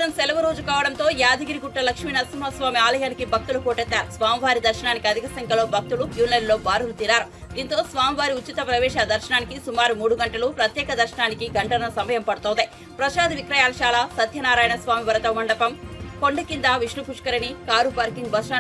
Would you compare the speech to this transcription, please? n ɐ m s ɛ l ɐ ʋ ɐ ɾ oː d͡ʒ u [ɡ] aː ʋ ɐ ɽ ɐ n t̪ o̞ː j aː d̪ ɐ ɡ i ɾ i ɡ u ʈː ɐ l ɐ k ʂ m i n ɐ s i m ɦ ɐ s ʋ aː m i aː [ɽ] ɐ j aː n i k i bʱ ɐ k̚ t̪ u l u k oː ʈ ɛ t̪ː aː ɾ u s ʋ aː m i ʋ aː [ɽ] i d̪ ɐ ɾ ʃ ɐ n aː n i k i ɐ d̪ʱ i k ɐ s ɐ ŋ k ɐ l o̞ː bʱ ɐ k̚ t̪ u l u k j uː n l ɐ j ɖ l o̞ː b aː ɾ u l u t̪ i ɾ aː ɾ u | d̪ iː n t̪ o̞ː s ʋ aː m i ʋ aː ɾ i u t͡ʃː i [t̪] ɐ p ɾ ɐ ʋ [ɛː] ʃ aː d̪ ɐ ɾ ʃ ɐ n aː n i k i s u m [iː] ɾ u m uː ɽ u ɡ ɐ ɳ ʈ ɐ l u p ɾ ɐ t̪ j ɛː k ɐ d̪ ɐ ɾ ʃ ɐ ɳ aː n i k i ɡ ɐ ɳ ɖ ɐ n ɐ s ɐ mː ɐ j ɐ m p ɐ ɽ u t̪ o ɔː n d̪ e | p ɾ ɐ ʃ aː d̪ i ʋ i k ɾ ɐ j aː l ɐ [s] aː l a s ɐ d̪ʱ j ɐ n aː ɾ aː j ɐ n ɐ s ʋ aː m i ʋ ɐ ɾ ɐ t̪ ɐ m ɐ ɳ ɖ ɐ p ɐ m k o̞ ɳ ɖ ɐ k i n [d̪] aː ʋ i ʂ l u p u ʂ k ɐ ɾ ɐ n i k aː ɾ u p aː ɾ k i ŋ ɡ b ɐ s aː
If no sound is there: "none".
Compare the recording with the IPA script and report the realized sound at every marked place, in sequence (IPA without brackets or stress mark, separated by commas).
k, l, ɾ, t̪, ɛː, aː, ʃ, d̪